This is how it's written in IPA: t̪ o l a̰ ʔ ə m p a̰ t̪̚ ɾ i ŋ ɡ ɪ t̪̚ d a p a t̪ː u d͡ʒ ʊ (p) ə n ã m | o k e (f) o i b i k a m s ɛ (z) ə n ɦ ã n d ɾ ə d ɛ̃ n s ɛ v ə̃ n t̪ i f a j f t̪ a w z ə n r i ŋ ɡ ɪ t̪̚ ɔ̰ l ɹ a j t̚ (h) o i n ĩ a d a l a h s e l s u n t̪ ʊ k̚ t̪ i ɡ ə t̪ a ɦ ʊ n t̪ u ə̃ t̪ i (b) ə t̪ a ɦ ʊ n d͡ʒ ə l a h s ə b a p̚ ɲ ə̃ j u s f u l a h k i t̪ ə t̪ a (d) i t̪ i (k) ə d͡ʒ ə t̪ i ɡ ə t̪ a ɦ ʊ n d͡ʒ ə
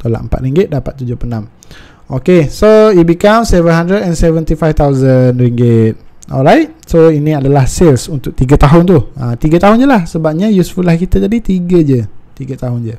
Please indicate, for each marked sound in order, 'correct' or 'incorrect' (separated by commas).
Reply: correct, incorrect, incorrect, incorrect, incorrect, correct, incorrect